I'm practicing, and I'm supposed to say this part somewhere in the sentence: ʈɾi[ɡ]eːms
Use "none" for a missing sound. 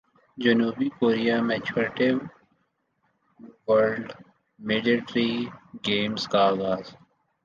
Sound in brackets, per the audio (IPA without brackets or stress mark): ɡ